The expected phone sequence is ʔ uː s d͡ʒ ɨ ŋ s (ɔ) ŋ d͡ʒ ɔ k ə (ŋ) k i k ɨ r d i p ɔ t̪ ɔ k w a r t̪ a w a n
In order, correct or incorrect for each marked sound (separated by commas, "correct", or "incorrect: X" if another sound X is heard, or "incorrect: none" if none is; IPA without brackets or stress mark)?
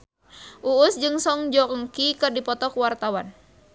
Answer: correct, correct